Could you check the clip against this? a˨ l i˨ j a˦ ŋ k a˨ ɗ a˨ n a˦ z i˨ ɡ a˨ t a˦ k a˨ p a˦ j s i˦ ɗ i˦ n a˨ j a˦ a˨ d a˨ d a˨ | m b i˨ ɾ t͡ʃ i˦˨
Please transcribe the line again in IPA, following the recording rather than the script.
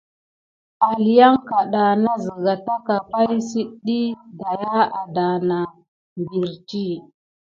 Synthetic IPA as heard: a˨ l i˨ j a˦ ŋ k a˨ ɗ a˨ n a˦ z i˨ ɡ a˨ t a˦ k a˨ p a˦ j s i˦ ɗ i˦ d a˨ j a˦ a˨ d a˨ n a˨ | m b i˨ ɾ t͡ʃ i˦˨